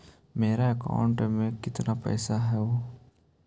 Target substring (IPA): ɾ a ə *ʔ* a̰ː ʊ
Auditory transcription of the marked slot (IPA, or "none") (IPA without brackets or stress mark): k